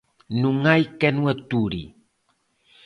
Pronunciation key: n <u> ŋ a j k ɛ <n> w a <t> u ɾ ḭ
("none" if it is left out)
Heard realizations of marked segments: u, n, t

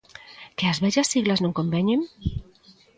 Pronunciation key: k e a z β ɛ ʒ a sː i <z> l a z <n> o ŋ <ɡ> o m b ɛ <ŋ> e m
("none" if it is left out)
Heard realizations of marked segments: ɣ, n, k, ɲ

